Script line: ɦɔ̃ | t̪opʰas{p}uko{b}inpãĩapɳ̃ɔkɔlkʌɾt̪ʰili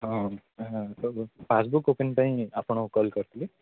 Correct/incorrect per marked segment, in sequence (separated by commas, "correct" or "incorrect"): incorrect, incorrect